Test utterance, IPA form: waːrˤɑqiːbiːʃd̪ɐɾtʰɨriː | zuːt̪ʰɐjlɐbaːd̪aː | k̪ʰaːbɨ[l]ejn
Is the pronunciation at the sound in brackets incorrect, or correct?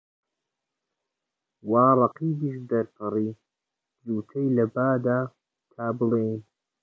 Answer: correct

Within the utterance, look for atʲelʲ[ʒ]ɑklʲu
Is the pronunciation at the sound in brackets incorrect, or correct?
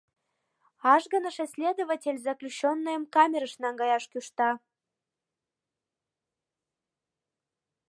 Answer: incorrect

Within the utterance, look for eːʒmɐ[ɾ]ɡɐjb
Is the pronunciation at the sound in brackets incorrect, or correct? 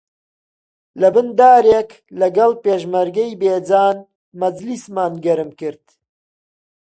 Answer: correct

